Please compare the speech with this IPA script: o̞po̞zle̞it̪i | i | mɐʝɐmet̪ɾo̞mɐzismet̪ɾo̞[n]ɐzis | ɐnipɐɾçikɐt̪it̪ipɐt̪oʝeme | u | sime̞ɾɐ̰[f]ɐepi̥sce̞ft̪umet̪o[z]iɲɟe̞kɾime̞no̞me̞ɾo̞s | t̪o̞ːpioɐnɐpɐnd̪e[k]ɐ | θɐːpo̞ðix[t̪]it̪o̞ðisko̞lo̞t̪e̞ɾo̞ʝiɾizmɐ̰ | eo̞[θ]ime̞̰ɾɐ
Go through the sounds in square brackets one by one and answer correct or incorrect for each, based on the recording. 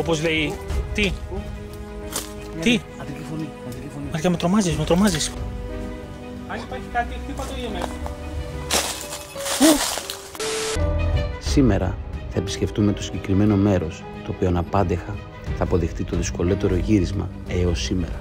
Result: incorrect: m, incorrect: θ, incorrect: s, incorrect: x, correct, incorrect: s

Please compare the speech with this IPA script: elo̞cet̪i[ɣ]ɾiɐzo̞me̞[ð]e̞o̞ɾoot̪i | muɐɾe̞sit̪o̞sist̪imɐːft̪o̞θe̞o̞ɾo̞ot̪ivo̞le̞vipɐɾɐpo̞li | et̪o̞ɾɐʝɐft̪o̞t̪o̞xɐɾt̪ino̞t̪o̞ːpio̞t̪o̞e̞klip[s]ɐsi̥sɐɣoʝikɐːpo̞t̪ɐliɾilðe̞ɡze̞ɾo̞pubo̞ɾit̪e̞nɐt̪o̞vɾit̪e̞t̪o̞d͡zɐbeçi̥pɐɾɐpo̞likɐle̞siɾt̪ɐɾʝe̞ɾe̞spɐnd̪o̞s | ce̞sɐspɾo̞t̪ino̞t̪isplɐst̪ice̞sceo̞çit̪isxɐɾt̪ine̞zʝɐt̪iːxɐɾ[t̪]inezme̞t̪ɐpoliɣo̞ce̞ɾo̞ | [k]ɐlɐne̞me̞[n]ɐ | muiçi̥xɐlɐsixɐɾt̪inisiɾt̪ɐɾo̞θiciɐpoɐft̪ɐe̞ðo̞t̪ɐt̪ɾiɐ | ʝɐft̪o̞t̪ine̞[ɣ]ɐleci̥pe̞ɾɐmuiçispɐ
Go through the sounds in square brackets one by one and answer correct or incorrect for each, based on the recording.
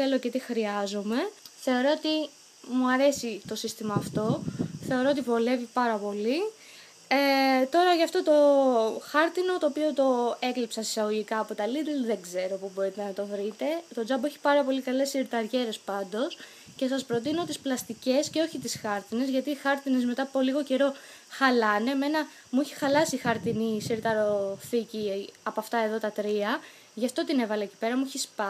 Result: incorrect: x, incorrect: θ, correct, correct, incorrect: x, correct, incorrect: v

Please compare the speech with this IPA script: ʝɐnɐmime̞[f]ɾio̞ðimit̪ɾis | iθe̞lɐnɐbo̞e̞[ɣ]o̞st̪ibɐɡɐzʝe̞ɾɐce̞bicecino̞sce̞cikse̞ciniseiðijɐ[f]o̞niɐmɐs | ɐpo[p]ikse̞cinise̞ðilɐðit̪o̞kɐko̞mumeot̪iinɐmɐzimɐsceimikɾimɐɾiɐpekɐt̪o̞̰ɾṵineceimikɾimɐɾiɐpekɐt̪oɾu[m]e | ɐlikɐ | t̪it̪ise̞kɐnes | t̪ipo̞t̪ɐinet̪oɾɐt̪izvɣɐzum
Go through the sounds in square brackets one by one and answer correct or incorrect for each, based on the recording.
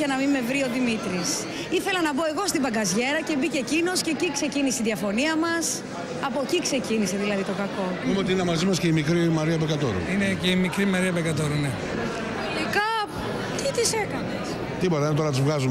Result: incorrect: v, correct, correct, incorrect: c, incorrect: n

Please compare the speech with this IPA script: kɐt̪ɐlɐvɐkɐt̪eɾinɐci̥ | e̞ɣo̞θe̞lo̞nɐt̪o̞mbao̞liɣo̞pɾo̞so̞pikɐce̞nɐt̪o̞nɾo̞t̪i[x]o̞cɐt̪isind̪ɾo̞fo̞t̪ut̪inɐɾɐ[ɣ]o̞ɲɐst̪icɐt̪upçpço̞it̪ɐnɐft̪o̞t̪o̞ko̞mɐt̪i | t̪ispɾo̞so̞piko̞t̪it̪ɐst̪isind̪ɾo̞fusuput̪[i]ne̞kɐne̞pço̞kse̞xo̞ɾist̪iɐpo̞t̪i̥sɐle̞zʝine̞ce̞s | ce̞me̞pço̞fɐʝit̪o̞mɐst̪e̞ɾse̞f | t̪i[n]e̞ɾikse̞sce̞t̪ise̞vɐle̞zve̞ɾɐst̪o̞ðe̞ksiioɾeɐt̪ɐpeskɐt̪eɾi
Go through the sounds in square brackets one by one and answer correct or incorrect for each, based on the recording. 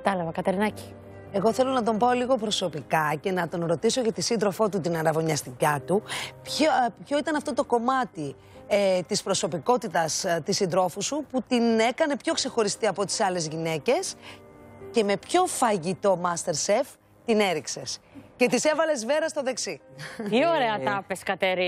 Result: incorrect: s, incorrect: v, correct, correct

